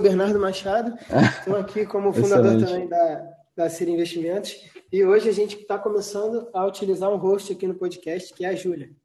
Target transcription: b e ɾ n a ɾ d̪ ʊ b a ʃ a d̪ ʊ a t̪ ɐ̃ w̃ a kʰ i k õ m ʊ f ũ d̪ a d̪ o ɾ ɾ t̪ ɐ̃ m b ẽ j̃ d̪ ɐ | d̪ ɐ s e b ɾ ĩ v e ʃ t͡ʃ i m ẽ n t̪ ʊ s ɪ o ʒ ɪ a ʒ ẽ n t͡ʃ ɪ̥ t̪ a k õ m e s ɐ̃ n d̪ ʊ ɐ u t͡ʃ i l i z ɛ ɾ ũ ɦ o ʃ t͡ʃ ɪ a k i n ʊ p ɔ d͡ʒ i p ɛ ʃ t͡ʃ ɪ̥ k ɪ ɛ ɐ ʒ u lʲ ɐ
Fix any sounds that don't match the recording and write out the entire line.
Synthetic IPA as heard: b e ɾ n a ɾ d̪ ʊ m a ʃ a d̪ ʊ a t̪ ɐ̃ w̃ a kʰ i k õ m ʊ f ũ d̪ a d̪ o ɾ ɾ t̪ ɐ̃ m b ẽ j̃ d̪ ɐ | d̪ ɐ s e ɾ ĩ v e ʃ t͡ʃ i m ẽ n t̪ ʊ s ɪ o ʒ ɪ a ʒ ẽ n t͡ʃ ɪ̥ t̪ a k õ m e s ɐ̃ n d̪ ʊ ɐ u t͡ʃ i l i z a ɾ ũ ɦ o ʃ t͡ʃ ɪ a k i n ʊ p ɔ d͡ʒ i k ɛ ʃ t͡ʃ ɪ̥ k ɪ ɛ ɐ ʒ u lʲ ɐ